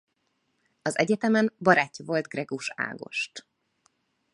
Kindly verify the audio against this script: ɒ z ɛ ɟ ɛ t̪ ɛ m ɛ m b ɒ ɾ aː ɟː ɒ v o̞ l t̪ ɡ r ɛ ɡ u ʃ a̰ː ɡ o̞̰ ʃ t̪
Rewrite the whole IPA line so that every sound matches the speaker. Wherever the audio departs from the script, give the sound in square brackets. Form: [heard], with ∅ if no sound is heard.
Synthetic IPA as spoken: ɒ z ɛ ɟ ɛ t̪ ɛ m ɛ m b ɒ ɾ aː [cː] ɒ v o̞ l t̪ ɡ r ɛ ɡ u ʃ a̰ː ɡ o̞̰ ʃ t̪